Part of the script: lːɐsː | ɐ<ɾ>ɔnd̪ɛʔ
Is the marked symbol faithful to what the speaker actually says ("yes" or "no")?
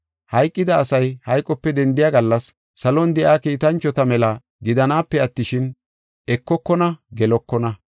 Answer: no